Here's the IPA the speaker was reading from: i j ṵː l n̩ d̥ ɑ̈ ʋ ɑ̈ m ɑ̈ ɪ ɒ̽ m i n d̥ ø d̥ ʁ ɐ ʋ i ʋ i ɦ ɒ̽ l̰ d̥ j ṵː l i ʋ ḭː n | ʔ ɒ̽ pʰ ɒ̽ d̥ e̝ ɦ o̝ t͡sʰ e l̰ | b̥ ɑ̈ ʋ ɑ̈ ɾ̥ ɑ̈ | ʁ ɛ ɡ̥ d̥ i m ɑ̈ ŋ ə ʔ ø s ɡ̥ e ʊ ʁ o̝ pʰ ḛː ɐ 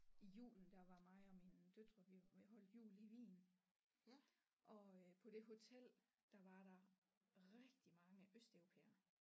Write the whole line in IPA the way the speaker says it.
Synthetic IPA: i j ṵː l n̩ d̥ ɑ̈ ʋ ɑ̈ m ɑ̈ ɪ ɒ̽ m i n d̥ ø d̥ ʁ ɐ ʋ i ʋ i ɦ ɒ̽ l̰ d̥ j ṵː l i ʋ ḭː n | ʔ ɒ̽ pʰ ɒ̽ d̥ e̝ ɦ o̝ t͡sʰ e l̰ | d̥ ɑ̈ ʋ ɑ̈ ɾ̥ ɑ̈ | ʁ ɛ ɡ̥ d̥ i m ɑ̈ ŋ ə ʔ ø s d̥ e ʊ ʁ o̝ pʰ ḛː ɐ